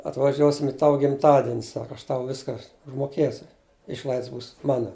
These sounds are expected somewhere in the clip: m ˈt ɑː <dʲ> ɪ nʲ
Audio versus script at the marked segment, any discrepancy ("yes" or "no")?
no